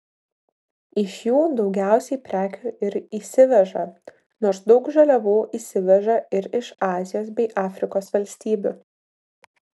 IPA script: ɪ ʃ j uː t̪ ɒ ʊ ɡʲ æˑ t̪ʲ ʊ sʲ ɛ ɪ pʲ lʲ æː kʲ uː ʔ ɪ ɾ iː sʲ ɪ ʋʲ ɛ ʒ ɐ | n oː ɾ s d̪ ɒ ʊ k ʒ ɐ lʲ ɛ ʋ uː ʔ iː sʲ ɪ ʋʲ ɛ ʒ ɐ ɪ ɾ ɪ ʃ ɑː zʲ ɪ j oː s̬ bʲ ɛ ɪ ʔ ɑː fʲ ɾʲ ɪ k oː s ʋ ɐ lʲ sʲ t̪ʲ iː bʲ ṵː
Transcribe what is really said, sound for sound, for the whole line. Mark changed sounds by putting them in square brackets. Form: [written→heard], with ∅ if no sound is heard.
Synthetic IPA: ɪ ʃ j uː [t̪→d̪] ɒ ʊ ɡʲ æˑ [t̪ʲ→∅] ʊ sʲ ɛ ɪ pʲ [lʲ→ɾʲ] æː kʲ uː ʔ ɪ ɾ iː sʲ ɪ ʋʲ ɛ ʒ ɐ | n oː ɾ s d̪ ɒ ʊ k ʒ ɐ lʲ ɛ ʋ uː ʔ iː sʲ ɪ ʋʲ ɛ ʒ ɐ ɪ ɾ ɪ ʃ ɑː zʲ ɪ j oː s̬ bʲ ɛ ɪ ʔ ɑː fʲ ɾʲ ɪ k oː s ʋ ɐ lʲ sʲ t̪ʲ iː bʲ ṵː